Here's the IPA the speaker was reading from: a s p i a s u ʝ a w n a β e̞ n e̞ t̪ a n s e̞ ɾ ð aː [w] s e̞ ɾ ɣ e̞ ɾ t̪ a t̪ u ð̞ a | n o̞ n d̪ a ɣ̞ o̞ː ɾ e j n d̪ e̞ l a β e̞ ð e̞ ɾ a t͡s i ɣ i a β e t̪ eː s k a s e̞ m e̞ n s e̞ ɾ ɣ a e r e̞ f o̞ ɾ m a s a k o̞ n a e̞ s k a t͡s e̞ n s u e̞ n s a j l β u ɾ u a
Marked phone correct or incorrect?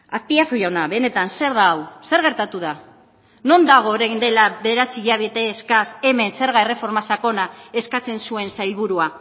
correct